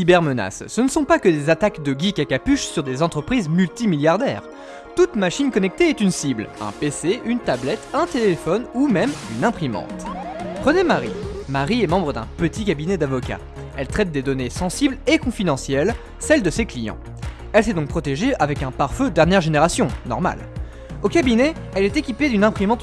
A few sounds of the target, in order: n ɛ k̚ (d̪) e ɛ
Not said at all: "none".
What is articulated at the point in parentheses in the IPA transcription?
t̪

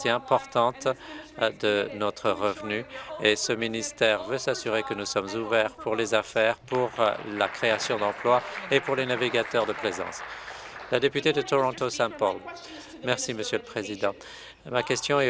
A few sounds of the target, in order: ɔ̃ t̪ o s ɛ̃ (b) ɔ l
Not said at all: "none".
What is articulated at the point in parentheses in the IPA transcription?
p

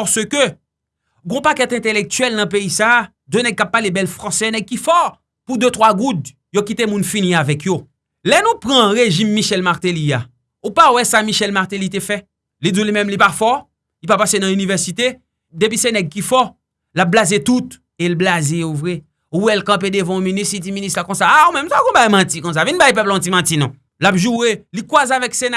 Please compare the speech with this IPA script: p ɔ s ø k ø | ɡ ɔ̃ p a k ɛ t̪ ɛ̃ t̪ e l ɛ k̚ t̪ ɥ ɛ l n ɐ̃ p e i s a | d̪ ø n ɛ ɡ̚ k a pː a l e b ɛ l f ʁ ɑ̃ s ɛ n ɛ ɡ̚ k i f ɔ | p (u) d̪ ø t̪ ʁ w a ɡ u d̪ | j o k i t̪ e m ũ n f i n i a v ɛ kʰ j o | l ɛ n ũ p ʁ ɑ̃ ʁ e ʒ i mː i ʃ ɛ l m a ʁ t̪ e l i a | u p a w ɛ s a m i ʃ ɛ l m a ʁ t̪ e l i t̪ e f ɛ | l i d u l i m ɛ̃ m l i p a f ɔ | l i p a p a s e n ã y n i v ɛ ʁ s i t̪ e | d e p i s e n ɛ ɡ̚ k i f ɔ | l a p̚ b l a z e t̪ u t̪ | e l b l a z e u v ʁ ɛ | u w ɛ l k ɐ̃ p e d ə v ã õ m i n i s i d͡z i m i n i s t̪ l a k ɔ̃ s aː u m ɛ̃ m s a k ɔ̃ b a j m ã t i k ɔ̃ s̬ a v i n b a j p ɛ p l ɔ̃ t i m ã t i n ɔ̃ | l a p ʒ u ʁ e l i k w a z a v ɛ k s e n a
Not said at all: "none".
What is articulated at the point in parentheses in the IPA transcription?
u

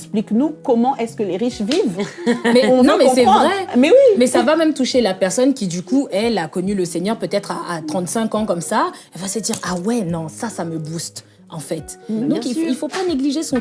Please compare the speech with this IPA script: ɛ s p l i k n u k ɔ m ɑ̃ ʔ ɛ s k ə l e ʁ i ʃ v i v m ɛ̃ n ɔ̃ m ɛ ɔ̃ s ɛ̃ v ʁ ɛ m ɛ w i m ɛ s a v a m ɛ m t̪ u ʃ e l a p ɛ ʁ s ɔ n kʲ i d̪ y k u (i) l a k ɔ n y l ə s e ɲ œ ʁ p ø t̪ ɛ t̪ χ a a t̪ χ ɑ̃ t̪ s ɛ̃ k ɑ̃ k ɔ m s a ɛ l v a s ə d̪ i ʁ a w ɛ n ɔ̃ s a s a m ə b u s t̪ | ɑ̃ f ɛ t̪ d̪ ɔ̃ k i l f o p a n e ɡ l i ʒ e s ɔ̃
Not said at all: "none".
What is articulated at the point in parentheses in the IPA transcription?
ɛ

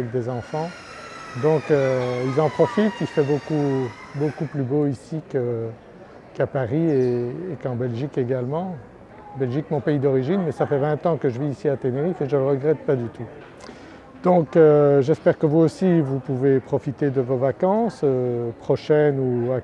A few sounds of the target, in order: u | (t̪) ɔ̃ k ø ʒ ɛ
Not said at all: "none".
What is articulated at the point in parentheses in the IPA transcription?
d̪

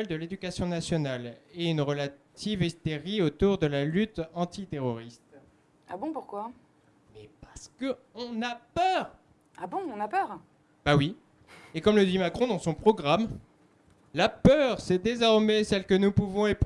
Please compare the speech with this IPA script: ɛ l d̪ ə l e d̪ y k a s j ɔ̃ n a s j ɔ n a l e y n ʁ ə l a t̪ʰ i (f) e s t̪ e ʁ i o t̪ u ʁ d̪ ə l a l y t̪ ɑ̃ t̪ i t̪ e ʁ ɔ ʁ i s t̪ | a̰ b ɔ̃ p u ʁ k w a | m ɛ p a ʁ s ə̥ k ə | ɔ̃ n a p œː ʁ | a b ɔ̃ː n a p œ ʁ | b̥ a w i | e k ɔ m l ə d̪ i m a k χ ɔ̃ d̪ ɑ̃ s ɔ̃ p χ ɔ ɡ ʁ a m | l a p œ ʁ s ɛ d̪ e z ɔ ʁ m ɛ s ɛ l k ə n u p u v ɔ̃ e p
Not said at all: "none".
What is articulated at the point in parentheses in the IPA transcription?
v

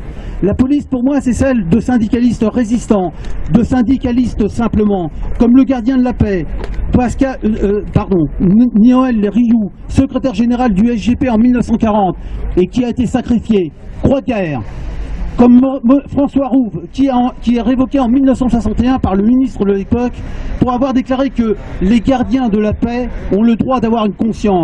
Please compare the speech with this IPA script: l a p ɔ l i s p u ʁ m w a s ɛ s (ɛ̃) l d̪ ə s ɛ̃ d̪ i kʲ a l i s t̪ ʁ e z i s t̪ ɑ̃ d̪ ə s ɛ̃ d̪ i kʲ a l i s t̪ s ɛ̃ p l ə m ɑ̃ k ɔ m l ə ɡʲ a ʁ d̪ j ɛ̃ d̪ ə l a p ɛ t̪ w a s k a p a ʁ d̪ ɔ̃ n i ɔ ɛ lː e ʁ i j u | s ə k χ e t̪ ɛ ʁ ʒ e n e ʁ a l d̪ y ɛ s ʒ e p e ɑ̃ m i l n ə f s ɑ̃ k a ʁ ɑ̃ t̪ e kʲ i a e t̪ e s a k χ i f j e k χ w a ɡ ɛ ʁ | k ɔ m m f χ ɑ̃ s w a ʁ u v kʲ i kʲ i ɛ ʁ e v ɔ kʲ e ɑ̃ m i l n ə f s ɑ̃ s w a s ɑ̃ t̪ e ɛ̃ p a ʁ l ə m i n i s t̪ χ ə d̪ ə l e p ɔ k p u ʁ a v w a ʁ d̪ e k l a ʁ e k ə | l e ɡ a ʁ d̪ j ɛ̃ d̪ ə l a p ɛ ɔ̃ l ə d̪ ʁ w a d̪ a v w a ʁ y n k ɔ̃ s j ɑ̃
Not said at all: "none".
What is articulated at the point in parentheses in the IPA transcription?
ɛ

